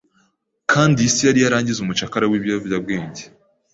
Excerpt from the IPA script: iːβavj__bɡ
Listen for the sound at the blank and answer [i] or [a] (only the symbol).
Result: a